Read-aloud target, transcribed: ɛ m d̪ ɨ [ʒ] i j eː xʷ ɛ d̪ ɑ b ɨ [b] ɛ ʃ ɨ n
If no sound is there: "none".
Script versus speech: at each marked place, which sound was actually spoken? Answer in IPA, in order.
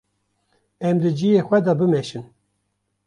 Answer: d͡ʒ, m

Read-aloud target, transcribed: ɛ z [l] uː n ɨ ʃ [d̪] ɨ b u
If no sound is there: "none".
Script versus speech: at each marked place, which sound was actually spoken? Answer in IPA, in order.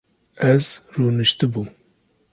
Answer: r, t̪

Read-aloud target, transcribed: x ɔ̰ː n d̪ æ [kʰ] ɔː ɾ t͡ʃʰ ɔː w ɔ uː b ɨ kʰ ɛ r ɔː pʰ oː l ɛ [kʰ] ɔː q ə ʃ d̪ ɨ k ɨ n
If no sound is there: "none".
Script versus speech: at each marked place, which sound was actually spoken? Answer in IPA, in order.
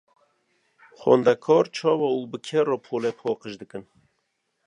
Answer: kʰ, pʰ

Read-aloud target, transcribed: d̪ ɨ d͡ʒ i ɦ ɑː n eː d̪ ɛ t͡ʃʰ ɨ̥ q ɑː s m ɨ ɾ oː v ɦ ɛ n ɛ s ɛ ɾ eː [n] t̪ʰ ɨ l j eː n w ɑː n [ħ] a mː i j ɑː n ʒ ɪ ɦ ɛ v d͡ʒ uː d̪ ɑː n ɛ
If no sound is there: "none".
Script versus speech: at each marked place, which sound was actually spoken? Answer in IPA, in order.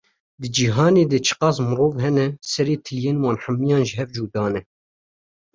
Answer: none, ħ

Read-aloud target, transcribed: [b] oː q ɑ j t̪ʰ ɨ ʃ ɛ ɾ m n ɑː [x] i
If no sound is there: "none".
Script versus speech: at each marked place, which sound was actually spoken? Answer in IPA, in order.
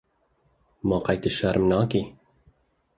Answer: m, k

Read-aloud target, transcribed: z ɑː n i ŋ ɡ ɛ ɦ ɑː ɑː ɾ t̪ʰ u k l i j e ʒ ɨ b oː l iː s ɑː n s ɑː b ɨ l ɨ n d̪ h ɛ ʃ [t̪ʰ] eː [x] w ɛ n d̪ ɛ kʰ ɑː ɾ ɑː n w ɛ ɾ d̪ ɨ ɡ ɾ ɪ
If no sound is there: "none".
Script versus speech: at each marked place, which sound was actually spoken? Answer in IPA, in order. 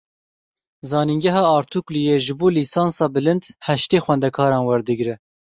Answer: t̪, x

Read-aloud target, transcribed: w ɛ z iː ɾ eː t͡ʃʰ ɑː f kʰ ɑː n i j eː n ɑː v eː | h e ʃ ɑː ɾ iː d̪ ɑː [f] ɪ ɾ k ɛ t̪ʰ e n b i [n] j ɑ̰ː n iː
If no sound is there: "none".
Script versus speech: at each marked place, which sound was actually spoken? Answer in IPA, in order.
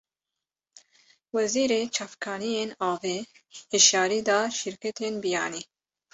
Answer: ʃ, none

